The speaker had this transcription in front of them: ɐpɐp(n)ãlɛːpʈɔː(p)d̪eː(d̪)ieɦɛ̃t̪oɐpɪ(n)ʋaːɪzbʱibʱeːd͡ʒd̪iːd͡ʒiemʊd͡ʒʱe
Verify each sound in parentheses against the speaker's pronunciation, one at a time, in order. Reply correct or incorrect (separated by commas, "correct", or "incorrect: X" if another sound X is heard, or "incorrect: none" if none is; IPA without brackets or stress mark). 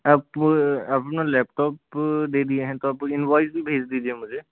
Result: correct, correct, correct, correct